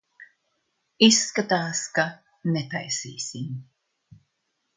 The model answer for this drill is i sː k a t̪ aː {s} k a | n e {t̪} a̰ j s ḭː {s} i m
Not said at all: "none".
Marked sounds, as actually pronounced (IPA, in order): s, t̪, s

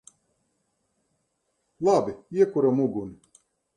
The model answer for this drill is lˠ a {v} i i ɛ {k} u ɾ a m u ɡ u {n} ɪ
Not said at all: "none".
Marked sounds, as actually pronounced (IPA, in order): b, k, n

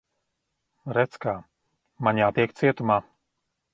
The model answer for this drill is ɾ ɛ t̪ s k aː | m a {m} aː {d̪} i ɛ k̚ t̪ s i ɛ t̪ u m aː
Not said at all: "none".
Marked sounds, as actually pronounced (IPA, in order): ɲ, t̪

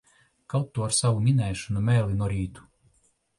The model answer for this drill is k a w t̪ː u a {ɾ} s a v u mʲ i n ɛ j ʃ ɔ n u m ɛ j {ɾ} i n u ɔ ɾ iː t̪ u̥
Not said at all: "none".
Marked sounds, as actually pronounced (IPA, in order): ɾ, l

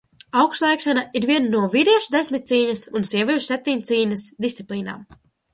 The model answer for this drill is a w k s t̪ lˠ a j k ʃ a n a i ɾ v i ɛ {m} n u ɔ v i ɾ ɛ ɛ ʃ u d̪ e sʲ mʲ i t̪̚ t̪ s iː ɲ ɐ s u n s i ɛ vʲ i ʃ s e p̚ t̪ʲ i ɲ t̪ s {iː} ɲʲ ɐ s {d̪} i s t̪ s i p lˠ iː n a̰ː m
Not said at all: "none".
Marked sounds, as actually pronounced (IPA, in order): n, iː, d̪

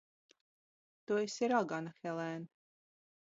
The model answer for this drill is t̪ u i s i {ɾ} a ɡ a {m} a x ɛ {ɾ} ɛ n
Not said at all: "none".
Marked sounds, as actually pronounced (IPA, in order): ɾ, n, l

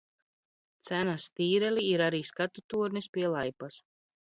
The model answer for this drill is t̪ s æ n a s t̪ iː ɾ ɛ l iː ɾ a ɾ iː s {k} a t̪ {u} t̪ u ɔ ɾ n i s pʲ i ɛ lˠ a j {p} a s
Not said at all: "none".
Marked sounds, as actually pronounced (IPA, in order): k, u, p

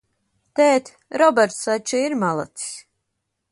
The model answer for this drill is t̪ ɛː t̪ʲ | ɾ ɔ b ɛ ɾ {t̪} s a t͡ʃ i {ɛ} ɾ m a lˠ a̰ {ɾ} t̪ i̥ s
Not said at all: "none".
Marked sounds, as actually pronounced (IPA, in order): t̪, i, none

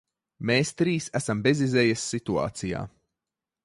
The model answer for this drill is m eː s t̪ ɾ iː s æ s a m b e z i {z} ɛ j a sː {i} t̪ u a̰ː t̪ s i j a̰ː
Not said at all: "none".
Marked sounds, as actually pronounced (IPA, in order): z, i

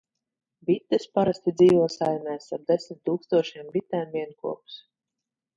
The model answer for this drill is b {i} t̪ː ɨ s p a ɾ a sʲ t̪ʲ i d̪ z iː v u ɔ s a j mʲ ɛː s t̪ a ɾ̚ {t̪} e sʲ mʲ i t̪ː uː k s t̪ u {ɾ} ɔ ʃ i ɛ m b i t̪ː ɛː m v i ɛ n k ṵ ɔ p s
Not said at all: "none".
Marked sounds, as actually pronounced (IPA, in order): i, d̪, none

